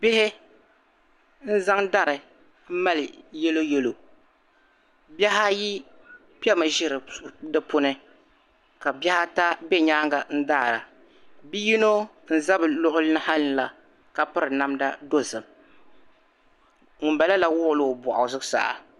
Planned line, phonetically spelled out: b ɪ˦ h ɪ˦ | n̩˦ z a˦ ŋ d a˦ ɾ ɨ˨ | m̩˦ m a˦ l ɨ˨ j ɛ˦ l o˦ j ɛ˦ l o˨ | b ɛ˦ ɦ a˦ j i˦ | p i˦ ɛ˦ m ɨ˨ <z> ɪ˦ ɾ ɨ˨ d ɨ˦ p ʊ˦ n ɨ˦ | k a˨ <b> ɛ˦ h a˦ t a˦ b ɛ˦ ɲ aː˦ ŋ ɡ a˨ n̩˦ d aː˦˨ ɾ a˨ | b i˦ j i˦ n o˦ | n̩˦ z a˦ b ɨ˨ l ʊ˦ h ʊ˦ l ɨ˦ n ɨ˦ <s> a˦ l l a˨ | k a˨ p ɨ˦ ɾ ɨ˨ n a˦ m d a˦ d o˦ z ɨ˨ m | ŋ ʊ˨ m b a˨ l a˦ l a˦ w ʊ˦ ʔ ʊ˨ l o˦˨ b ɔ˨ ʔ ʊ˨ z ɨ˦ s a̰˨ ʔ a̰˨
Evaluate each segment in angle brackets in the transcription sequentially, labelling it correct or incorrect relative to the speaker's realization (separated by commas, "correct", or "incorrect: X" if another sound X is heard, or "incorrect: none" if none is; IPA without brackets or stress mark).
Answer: incorrect: ʒ, correct, incorrect: h